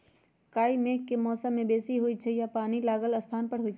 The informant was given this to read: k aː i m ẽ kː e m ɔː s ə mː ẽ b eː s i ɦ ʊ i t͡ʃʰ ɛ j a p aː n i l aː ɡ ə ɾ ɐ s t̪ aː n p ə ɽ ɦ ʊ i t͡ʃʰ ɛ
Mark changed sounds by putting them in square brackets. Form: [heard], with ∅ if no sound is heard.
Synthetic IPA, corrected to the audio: k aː i m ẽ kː e m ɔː s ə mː ẽ b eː s i ɦ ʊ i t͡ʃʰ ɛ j a p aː n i l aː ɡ ə [l] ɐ s [t̪ʰ] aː n p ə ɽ ɦ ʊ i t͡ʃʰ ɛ